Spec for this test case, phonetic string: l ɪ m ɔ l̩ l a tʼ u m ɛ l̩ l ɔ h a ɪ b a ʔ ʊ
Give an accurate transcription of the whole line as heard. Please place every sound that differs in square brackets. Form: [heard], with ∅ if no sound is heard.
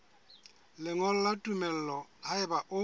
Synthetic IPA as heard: l ɪ [ŋ] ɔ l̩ l a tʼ u m ɛ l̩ l ɔ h a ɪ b a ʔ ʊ

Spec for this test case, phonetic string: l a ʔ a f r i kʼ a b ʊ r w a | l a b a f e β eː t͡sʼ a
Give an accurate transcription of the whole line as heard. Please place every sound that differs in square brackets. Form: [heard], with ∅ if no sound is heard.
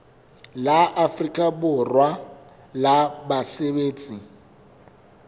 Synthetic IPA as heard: l a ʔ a f r i kʼ a b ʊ r w a | l a b a [s] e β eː t͡sʼ [i]

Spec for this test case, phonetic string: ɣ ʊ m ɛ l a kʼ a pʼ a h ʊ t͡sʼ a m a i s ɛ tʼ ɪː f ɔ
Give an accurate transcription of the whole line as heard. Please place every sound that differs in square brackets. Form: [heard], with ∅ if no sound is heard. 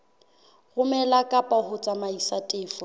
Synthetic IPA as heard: ɣ ʊ m ɛ l a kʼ a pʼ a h ʊ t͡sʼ a m a i s [a] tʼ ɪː f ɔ

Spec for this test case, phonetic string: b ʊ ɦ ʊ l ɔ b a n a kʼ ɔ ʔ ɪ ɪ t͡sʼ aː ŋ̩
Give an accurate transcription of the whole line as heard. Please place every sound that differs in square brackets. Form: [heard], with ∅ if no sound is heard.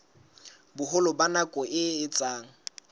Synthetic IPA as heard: b ʊ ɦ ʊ l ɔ b a n a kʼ ɔ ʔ ɪ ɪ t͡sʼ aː ŋ̩

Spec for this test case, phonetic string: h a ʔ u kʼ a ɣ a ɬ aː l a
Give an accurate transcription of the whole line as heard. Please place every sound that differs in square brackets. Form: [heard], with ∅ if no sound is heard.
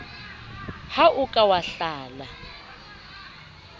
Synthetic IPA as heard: h a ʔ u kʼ a [w] a ɬ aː l a

